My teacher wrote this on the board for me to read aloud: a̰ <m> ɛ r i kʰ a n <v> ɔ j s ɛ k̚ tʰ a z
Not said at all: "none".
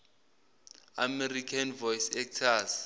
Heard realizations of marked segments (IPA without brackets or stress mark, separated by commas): m, v